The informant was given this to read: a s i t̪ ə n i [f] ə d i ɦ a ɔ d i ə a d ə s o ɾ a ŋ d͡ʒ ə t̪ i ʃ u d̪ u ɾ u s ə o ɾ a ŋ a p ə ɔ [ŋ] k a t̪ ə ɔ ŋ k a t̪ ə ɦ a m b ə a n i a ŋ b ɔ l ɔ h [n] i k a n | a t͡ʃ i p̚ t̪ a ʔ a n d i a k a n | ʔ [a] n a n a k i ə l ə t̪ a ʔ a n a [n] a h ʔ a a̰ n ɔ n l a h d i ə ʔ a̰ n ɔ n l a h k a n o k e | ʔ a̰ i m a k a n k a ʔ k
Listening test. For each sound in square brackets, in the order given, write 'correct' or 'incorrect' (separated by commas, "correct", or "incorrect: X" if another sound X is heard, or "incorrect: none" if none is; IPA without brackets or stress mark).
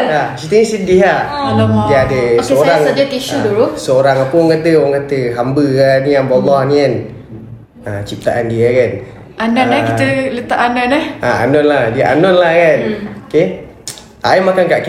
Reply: incorrect: s, correct, correct, correct, correct